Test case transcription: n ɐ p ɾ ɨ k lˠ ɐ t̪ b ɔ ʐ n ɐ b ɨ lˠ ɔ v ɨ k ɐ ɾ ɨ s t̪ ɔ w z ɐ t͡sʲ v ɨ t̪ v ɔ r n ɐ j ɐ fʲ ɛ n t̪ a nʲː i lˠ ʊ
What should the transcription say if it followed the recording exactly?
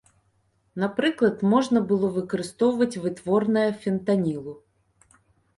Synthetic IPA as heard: n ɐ p ɾ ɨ k lˠ ɐ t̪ m ɔ ʐ n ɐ b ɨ lˠ ɔ v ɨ k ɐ ɾ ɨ s t̪ ɔ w v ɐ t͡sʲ v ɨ t̪ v ɔ r n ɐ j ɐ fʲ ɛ n t̪ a nʲ i lˠ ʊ